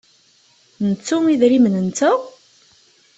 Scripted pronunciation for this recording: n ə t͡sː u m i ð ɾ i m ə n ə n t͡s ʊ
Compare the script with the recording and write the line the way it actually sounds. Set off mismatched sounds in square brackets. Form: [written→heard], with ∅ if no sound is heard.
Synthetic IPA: n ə t͡sː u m i ð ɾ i m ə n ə n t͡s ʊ